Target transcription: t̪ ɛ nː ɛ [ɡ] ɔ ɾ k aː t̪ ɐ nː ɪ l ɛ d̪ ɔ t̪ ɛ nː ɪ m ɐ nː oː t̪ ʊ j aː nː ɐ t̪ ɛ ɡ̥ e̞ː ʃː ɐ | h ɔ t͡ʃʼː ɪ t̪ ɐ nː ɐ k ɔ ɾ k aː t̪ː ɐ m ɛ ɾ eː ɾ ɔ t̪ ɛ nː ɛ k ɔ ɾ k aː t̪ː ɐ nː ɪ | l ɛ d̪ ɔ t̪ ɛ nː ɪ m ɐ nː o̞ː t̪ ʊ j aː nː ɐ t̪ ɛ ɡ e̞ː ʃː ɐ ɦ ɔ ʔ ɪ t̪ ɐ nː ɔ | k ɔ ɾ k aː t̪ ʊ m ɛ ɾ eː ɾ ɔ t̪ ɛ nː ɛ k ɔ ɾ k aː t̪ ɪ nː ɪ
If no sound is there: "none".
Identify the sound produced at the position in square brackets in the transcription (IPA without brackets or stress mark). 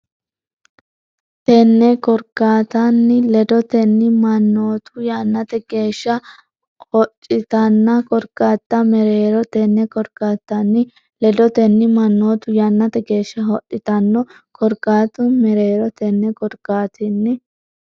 k